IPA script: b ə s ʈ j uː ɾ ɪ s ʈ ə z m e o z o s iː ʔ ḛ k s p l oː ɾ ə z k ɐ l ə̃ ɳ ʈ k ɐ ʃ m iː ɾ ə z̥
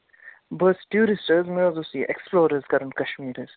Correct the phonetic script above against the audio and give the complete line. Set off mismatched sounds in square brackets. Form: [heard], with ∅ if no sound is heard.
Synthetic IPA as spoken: b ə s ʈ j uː ɾ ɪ s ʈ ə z m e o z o s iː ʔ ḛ k s p l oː ɾ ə z k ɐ [ɾ] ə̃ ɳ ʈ k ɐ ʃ m iː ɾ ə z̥